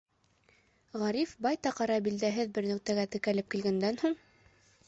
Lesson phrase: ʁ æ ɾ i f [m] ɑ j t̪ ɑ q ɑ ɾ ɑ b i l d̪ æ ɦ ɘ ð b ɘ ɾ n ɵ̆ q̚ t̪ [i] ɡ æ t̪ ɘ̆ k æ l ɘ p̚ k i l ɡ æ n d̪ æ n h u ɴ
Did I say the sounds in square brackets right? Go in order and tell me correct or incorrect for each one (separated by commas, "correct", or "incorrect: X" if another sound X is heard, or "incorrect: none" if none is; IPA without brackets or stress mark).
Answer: incorrect: b, incorrect: æ